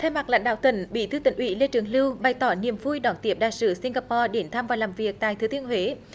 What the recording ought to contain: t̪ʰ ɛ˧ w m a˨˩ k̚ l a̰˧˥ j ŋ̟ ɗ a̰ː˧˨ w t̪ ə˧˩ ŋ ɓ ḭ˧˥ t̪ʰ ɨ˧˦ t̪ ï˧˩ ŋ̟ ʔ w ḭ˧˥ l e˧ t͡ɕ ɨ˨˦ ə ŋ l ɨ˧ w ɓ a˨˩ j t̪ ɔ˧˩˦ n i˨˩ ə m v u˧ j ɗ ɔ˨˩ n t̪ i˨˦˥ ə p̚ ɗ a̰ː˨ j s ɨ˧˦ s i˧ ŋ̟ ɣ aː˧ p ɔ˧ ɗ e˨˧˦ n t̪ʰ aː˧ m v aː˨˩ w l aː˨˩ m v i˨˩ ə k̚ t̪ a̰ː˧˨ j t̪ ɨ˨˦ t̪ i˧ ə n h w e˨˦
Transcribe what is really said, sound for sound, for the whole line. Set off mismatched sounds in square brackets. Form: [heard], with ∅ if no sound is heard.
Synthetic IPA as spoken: t̪ʰ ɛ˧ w m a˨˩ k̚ l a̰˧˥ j ŋ̟ ɗ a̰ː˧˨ w t̪ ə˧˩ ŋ ɓ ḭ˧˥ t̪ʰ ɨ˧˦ t̪ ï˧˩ ŋ̟ ʔ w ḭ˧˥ l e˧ t͡ɕ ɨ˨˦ ə ŋ l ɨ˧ w ɓ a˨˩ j t̪ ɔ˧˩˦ n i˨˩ ə m v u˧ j ɗ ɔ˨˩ n t̪ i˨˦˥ ə p̚ ɗ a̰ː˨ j s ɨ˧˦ s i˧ ŋ̟ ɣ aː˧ p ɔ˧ ɗ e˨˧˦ n t̪ʰ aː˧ m v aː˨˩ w l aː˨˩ m v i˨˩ ə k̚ t̪ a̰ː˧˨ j t̪ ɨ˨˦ t̪ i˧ ə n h w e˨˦